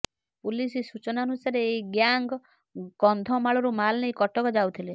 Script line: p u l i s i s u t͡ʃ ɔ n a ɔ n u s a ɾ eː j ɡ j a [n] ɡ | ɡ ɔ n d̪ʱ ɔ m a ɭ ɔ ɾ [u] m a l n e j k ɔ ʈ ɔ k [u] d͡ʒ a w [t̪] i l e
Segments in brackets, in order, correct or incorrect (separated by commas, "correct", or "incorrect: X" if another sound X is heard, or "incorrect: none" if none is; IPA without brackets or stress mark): incorrect: ŋ, correct, incorrect: ɔ, incorrect: t̪ʰ